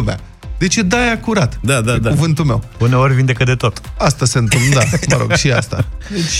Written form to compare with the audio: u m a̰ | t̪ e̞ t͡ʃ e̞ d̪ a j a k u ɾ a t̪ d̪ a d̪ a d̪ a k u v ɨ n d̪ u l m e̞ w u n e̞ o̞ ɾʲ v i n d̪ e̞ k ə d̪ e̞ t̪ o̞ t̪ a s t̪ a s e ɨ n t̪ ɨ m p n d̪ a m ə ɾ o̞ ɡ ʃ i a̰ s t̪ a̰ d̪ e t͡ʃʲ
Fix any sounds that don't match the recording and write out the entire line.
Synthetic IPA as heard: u m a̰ | d̪ e̞ t͡ʃ e̞ d̪ a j a k u ɾ a t̪ d̪ a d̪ a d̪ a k u v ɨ n t̪ u l m e̞ w u n e̞ o̞ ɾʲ v i n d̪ e̞ k ə d̪ e̞ t̪ o̞ t̪ a s t̪ a s e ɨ n t̪ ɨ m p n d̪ a m ə ɾ o̞ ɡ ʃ i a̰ s t̪ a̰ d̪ e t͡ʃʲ